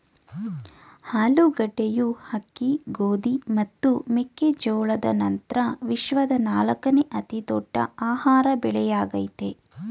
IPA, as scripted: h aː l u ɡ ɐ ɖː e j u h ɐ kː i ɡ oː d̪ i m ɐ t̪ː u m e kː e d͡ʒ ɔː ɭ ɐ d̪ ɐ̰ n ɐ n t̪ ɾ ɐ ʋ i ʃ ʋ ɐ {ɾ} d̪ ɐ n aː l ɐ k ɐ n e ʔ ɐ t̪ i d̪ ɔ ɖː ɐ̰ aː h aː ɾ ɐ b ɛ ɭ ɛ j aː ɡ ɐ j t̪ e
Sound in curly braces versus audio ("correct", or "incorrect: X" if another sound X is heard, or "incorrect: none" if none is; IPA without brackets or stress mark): incorrect: none